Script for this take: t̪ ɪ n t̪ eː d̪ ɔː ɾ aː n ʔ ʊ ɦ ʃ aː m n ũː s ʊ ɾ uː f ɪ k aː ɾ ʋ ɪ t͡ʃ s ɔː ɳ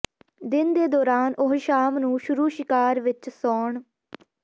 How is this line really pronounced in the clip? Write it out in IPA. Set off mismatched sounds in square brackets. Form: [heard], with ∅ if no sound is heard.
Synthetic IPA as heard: [d̪] ɪ n [d̪] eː d̪ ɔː ɾ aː n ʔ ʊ ɦ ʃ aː m n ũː [ʃ] ʊ ɾ uː [ʃ] ɪ k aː ɾ ʋ ɪ t͡ʃ s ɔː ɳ